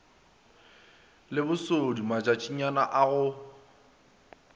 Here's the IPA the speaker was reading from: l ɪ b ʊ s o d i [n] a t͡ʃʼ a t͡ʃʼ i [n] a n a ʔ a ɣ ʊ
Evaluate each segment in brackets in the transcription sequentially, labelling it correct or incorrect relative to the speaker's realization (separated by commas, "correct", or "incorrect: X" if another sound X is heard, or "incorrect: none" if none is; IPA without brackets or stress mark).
incorrect: m, incorrect: ɲ